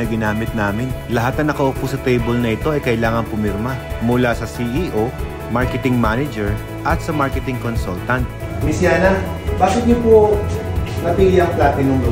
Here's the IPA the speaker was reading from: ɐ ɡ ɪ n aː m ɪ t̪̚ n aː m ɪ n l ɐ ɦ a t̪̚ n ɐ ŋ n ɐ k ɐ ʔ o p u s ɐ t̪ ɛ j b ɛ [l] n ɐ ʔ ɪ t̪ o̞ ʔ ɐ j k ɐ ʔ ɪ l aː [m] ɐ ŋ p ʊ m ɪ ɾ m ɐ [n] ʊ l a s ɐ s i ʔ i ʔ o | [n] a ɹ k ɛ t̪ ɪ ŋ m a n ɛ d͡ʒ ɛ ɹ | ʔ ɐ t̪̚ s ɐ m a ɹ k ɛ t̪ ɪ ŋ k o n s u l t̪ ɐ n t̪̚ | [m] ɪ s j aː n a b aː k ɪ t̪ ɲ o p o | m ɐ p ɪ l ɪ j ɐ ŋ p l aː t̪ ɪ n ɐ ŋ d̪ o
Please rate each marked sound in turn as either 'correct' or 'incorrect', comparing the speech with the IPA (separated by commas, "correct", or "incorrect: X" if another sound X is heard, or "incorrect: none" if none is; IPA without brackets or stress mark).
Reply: correct, incorrect: ŋ, incorrect: m, incorrect: m, correct